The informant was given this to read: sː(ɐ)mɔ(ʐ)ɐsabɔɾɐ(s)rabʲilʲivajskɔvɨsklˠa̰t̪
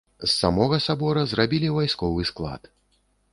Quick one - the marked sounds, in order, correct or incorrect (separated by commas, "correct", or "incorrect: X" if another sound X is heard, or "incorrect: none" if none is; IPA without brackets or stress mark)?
incorrect: a, incorrect: ɣ, incorrect: z